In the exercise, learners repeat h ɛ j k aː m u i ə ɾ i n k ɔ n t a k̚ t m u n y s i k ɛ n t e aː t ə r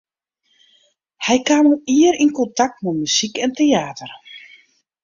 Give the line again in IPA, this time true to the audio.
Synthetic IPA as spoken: h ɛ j k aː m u i ə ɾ i n k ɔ n t a k̚ t m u m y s i k ɛ n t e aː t ə r